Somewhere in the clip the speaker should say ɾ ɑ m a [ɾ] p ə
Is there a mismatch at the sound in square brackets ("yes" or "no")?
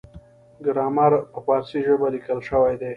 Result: no